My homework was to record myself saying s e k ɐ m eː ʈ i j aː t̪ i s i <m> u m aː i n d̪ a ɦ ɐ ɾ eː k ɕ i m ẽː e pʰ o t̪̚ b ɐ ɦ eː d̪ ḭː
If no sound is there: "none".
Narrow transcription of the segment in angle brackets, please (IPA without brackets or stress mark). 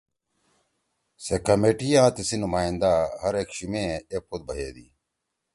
n